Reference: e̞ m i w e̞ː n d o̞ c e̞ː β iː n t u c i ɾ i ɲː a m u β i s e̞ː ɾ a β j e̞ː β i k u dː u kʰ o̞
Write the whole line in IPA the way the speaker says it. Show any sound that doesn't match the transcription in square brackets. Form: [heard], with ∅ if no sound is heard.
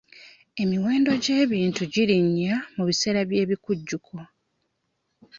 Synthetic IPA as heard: e̞ m i w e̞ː n d o̞ [ɟ] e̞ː β iː n t u [ɟ] i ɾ i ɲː a m u β i s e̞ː ɾ a β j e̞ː β i k u [ɟː] u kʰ o̞